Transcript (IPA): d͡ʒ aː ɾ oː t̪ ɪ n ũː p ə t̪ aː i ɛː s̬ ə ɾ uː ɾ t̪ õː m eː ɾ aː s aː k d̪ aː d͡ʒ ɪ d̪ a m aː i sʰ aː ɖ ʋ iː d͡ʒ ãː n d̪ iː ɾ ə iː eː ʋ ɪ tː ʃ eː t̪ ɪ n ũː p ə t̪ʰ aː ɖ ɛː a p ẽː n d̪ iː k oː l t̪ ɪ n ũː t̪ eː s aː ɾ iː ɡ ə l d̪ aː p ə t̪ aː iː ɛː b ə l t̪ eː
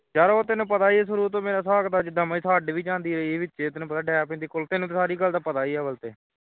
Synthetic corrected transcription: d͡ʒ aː ɾ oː t̪ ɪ n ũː p ə t̪ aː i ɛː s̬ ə ɾ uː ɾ t̪ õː m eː ɾ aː s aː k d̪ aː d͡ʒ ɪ d̪ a m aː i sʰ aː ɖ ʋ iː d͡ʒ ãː n d̪ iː ɾ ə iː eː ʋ ɪ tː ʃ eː t̪ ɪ n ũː p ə t̪ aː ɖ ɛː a p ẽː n d̪ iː k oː l t̪ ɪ n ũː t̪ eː s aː ɾ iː ɡ ə l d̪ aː p ə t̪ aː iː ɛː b ə l t̪ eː